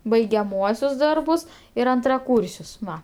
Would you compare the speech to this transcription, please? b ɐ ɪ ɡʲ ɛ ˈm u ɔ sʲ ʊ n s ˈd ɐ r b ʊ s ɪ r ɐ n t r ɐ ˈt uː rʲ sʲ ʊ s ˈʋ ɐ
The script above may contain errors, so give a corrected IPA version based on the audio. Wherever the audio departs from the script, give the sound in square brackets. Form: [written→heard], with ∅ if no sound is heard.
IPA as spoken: b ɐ ɪ ɡʲ ɛ ˈm u ɔ sʲ ʊ [n→∅] s ˈd ɐ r b ʊ s ɪ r ɐ n t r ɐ [ˈt→ˈk] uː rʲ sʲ ʊ s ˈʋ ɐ